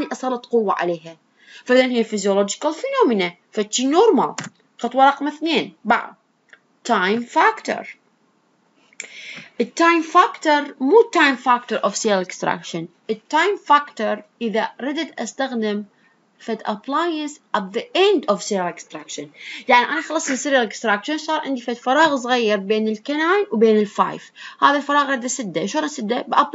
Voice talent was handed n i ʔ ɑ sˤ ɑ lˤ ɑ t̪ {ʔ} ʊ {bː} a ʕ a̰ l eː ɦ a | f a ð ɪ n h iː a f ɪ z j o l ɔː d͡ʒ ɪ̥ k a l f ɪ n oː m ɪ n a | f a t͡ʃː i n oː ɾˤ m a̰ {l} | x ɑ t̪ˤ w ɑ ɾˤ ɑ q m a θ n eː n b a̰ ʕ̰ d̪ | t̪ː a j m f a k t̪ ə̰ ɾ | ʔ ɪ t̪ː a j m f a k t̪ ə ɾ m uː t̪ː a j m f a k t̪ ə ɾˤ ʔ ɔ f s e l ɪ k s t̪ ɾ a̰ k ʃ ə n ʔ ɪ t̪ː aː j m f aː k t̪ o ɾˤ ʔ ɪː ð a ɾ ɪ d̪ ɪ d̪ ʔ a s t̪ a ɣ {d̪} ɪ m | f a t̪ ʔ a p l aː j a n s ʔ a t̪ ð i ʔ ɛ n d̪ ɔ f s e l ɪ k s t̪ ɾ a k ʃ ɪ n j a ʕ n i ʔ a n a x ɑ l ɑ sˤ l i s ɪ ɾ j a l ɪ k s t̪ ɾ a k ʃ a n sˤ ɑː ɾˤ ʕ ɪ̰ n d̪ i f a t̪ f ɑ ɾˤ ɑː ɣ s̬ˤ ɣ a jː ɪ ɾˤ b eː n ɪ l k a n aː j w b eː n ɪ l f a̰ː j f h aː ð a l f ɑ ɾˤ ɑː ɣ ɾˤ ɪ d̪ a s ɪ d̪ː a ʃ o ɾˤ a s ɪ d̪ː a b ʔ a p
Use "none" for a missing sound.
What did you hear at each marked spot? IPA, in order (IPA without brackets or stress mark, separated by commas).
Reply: q, wː, l, d̪